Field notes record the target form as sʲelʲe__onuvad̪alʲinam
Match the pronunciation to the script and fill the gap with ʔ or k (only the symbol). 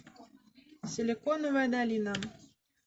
k